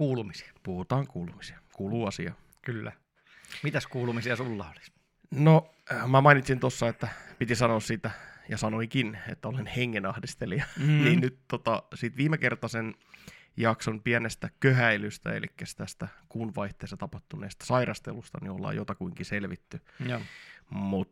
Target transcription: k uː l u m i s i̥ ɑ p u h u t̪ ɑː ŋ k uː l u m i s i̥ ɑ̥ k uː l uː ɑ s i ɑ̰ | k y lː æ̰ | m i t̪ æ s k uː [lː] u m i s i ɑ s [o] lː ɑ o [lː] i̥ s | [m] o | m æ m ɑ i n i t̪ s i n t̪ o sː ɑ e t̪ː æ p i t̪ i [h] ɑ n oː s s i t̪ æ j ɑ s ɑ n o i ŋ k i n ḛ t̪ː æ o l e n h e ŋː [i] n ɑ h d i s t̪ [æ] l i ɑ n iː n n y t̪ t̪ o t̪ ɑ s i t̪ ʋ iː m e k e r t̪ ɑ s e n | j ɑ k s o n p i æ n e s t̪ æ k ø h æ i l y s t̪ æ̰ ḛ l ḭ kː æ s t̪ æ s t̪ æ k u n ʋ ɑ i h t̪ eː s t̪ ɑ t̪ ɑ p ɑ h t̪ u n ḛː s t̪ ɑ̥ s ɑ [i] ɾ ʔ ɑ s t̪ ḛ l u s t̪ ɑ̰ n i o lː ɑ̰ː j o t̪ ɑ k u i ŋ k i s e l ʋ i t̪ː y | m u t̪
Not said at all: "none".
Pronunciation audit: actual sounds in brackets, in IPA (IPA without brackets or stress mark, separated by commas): l, u, l, n, s, e, e, i